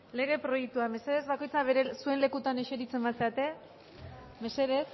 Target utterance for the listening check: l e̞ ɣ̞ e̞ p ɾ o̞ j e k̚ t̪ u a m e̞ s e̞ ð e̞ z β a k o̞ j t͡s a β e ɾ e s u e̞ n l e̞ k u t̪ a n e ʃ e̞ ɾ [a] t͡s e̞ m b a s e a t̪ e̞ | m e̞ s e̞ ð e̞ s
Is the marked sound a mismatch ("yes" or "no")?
yes